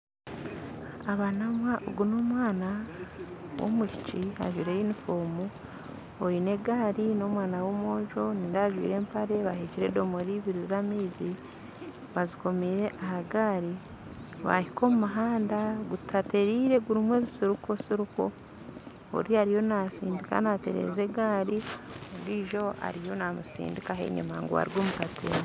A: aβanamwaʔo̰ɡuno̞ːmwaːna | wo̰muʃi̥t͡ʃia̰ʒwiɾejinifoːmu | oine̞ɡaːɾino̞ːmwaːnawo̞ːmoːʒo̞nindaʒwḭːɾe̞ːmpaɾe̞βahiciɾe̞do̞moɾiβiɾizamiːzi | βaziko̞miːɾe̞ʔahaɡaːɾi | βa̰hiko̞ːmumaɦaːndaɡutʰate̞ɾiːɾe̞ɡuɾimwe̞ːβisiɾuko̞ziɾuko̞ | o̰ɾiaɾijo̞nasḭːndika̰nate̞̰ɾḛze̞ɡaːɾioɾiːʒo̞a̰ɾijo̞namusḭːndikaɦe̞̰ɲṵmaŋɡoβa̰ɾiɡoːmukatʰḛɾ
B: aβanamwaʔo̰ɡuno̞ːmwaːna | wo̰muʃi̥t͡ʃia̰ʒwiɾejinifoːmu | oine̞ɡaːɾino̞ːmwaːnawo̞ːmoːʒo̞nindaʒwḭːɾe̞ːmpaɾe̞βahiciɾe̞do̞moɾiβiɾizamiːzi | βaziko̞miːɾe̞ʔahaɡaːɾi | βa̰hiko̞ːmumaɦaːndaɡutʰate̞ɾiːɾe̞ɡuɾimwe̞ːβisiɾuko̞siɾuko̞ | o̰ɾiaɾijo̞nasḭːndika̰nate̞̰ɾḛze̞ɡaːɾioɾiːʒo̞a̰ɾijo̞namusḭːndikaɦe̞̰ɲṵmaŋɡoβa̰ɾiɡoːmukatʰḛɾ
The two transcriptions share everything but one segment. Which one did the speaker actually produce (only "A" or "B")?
B